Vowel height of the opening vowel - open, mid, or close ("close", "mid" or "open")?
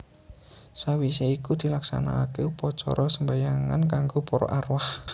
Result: open